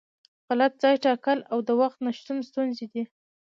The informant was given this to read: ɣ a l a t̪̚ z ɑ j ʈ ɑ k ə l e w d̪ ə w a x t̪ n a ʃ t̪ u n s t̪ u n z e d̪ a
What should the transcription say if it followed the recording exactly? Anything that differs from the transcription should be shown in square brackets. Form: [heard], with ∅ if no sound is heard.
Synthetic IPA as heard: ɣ a l a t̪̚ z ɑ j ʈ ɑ k ə l [a] w d̪ ə w a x t̪ n a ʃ t̪ u n s t̪ u n z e d̪ [i]